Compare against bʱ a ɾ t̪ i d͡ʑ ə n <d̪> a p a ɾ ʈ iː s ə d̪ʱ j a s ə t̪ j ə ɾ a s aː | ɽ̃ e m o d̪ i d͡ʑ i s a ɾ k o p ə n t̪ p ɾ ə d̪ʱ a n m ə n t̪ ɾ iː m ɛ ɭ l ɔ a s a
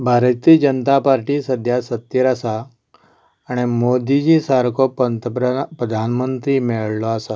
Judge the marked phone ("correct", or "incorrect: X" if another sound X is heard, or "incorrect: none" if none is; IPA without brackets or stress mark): incorrect: t̪